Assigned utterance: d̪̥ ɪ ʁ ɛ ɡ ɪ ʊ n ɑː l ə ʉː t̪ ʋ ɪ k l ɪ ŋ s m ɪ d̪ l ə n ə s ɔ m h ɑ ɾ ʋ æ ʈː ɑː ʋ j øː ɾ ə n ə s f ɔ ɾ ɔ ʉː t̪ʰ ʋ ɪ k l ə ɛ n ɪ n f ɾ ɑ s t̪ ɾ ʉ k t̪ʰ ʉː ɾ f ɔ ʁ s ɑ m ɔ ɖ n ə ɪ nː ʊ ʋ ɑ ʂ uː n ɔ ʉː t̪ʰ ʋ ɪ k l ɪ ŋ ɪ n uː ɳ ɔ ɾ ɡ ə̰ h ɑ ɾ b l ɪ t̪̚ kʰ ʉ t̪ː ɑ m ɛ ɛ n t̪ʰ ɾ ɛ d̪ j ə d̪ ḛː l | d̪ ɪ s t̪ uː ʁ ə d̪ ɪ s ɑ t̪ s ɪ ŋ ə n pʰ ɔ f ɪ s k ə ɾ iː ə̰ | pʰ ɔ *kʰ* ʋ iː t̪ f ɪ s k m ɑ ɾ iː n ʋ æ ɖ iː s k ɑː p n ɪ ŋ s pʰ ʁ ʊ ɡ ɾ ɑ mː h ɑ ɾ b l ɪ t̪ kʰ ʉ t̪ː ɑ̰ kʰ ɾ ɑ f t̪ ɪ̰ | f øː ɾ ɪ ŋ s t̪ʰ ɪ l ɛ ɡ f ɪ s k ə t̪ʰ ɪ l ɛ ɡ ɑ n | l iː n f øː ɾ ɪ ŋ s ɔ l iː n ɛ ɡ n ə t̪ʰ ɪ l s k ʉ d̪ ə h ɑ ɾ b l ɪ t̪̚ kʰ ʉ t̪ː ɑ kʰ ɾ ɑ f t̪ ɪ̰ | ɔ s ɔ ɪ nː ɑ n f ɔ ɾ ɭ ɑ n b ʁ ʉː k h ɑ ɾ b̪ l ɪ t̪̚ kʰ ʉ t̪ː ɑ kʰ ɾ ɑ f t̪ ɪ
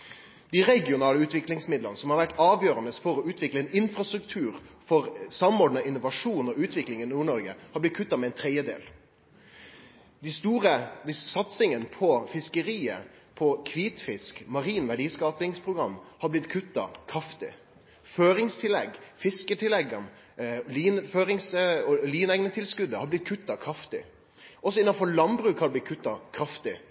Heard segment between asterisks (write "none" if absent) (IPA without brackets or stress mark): kʰ